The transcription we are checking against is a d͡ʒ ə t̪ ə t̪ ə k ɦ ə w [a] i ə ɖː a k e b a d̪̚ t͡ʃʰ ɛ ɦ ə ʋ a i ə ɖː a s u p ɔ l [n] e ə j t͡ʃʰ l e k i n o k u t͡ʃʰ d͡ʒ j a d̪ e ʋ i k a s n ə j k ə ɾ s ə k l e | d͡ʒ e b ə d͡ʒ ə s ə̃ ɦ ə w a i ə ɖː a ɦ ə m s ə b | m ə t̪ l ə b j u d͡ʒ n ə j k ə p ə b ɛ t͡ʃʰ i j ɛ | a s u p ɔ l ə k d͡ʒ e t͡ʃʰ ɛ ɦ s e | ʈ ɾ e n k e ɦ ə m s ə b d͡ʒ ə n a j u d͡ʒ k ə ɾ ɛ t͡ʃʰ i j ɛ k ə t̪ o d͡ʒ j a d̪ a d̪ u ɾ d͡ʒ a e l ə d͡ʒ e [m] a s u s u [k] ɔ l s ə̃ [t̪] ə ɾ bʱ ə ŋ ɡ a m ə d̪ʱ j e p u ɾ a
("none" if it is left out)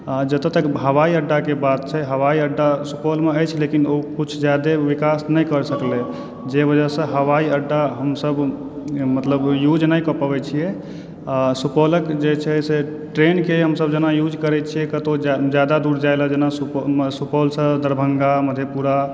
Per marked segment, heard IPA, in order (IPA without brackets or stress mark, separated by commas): a, m, n, p, d̪